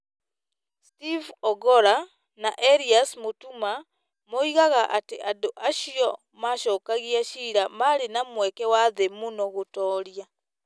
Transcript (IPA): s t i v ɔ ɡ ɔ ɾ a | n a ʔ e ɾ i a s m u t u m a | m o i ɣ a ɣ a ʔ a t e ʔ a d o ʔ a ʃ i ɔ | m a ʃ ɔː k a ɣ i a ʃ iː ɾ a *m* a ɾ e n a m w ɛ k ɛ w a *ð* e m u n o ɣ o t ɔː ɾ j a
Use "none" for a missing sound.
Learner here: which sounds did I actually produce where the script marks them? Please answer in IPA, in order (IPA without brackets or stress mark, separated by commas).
m, ð